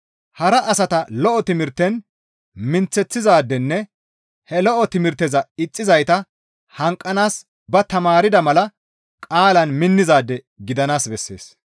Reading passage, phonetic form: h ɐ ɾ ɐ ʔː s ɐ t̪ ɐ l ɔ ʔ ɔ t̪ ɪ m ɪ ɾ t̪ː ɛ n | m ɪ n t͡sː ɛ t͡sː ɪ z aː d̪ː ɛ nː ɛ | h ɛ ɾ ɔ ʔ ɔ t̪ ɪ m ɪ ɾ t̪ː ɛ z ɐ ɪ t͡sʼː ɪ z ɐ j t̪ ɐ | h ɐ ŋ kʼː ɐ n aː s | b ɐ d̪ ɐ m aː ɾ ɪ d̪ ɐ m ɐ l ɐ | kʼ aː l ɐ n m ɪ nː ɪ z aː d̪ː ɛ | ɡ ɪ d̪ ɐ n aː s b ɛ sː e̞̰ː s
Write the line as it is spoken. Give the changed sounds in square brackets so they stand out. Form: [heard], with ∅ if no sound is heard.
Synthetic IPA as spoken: h ɐ ɾ ɐ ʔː s ɐ t̪ ɐ l ɔ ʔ ɔ t̪ ɪ m ɪ ɾ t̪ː ɛ n | m ɪ n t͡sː ɛ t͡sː ɪ z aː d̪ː ɛ nː ɛ | h ɛ [l] ɔ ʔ ɔ t̪ ɪ m ɪ ɾ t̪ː ɛ z ɐ ɪ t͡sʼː ɪ z ɐ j t̪ ɐ | h ɐ ŋ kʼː ɐ n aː s | b ɐ [t̪] ɐ m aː ɾ ɪ d̪ ɐ m ɐ l ɐ | kʼ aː l ɐ n m ɪ nː ɪ z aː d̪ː ɛ | ɡ ɪ d̪ ɐ n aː s b ɛ sː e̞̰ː s